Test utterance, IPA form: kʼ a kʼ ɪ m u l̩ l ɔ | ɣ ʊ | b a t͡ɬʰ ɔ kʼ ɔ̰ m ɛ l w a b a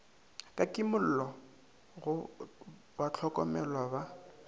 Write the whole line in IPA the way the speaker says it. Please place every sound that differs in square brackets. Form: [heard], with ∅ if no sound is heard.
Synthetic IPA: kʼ a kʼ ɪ m [ʊ] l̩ l ɔ | ɣ ʊ | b a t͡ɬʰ ɔ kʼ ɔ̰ m ɛ l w a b a